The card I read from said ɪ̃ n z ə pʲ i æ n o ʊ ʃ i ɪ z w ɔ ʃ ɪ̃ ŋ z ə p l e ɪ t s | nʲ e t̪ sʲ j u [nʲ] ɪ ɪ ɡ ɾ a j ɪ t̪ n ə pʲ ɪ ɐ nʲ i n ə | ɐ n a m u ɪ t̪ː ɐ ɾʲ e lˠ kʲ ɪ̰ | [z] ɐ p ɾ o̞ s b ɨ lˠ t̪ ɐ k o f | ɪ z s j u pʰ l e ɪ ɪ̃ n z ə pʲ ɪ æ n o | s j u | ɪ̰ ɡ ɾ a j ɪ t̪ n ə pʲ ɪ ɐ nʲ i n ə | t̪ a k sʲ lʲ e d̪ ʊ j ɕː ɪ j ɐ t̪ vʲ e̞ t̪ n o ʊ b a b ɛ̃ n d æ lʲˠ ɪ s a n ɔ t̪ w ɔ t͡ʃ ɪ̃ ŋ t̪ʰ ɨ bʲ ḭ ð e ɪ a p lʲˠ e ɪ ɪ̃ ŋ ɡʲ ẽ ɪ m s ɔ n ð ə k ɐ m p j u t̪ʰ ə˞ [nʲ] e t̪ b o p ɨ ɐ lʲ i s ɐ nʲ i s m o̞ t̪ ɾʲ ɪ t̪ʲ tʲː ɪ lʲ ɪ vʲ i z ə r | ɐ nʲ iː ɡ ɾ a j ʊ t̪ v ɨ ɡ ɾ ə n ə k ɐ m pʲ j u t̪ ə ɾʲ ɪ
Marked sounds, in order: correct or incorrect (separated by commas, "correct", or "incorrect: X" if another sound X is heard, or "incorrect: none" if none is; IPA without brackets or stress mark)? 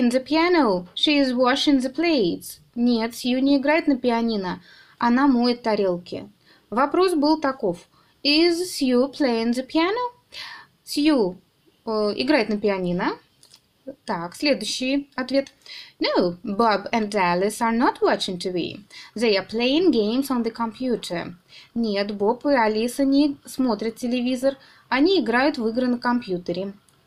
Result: correct, incorrect: v, correct